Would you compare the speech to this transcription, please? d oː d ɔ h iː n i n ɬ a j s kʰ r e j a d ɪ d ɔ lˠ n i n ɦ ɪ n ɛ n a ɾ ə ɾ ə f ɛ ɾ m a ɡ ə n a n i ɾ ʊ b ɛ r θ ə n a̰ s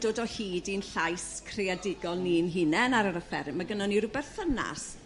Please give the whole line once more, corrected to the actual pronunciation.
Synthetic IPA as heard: d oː d ɔ h iː d i n ɬ a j s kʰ r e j a d ɪ ɡ ɔ lˠ n i n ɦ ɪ n ɛ n a ɾ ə ɾ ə f ɛ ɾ m a ɡ ə n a n i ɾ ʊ b ɛ r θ ə n a̰ s